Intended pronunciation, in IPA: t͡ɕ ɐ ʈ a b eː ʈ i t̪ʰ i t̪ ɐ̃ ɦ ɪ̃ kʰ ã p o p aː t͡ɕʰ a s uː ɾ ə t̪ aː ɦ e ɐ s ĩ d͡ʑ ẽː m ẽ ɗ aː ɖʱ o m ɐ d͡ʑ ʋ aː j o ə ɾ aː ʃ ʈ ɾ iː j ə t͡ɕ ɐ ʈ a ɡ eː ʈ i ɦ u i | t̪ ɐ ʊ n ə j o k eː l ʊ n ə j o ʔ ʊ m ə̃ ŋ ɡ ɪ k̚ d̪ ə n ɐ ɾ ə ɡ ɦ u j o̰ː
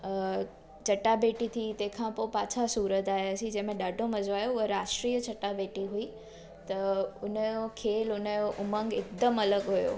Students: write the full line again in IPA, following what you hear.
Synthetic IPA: t͡ɕ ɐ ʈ a b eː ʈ i t̪ʰ i t̪ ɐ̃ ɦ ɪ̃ kʰ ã p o p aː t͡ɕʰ a s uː ɾ ə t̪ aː ɦ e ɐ s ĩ d͡ʑ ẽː m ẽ ɗ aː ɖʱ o m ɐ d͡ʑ ʋ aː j o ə ɾ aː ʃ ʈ ɾ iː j ə t͡ɕ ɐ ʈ a b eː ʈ i ɦ u i | t̪ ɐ ʊ n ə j o kʰ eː l ʊ n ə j o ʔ ʊ m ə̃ ŋ ɡ ɪ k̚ d̪ ə m ɐ l ə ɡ ɦ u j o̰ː